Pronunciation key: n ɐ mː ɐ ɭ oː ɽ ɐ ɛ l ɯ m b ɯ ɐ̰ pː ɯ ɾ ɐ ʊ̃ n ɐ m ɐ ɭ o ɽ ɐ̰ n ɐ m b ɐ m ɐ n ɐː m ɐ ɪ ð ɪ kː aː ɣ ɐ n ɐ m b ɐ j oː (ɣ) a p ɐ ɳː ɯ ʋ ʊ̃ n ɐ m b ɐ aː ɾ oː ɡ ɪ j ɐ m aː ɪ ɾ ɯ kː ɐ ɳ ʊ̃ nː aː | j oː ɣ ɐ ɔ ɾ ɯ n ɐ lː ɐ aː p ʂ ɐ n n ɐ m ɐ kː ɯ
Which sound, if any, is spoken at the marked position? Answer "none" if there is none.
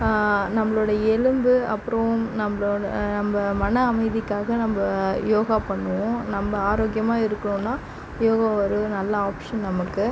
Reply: ɣ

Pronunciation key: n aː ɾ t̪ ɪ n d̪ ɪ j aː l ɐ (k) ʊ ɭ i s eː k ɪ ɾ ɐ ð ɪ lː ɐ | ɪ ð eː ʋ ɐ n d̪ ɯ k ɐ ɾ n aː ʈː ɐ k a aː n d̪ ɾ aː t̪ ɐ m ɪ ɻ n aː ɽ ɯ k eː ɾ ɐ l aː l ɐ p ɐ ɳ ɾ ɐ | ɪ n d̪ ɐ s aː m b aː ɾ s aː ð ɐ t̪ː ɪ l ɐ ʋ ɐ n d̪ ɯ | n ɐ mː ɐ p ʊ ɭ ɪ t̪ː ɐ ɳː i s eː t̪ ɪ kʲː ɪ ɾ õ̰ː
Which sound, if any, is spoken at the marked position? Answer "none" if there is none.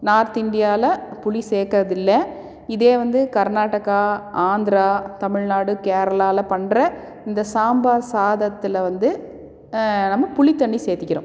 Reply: p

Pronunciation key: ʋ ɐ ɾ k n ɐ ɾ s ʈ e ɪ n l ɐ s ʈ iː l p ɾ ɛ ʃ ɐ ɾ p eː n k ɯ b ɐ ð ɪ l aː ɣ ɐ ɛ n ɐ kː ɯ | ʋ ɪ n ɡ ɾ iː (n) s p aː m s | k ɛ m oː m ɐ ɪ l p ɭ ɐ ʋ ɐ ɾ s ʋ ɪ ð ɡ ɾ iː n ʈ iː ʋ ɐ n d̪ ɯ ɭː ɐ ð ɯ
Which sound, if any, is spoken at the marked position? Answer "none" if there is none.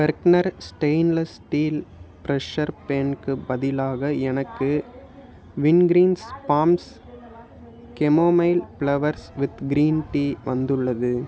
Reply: n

